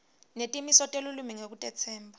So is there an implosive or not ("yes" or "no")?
no